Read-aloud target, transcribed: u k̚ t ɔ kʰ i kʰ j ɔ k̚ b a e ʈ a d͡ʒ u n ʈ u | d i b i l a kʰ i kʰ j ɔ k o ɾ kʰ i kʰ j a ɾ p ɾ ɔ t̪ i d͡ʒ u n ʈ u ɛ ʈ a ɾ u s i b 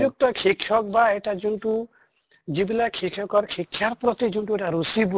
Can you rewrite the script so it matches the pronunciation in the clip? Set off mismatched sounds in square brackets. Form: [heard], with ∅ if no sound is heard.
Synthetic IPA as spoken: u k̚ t ɔ kʰ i kʰ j ɔ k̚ b a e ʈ a d͡ʒ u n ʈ u | [d͡ʒ] i b i l a kʰ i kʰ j ɔ k [ɔ] ɾ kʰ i kʰ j a ɾ p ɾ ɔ t̪ i d͡ʒ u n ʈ u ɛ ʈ a ɾ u s i b